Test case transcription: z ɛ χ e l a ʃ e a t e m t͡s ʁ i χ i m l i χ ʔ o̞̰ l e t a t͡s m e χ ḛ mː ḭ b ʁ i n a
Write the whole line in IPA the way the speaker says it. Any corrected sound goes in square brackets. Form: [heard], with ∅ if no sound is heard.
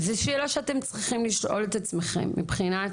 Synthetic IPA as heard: z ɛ [ʃ] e l a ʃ e a t e m t͡s ʁ i χ i m l i [ʃ] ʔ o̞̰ l e t a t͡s m e χ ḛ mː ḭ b [χ] i n a